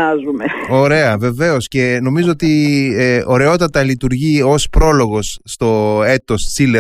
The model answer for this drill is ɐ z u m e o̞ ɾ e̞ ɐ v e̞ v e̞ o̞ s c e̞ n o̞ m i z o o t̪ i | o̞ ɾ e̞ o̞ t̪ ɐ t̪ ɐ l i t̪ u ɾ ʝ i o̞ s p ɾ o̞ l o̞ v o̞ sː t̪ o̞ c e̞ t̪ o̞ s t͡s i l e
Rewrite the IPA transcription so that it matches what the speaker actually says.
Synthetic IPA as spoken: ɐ z u m e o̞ ɾ e̞ ɐ v e̞ v e̞ o̞ s c e̞ n o̞ m i z o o t̪ i | o̞ ɾ e̞ o̞ t̪ ɐ t̪ ɐ l i t̪ u ɾ ʝ i o̞ s p ɾ o̞ l o̞ ɣ o̞ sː t̪ o̞ e̞ t̪ o̞ s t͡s i l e